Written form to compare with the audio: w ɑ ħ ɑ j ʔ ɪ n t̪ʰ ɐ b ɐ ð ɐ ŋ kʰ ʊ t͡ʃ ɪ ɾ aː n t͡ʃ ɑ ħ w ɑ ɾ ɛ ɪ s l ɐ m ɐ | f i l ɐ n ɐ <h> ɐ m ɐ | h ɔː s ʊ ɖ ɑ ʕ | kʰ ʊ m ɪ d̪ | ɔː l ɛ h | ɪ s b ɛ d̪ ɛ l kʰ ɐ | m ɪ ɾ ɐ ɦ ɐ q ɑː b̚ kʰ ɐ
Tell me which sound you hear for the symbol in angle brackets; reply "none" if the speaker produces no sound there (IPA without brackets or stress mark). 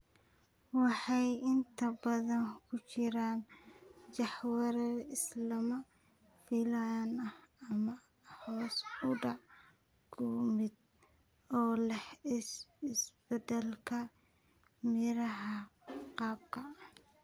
h